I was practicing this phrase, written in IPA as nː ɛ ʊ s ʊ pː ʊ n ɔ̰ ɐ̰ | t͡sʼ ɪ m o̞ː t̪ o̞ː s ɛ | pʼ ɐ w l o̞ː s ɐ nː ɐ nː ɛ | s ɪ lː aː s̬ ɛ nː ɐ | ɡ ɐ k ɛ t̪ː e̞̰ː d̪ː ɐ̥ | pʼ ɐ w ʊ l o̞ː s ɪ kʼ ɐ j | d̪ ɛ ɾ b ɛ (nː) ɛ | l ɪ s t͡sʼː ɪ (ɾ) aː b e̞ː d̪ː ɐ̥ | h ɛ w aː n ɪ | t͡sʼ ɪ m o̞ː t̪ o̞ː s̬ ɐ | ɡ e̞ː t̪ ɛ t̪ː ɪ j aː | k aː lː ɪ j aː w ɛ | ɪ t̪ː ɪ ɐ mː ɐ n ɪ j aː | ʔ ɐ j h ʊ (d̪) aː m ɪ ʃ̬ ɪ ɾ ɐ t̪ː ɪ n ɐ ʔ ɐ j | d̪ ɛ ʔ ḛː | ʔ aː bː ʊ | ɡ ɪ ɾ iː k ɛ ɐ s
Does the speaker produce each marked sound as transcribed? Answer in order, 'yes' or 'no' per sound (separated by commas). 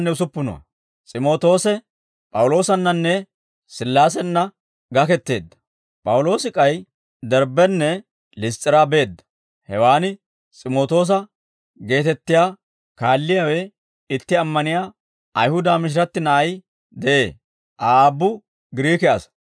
yes, yes, yes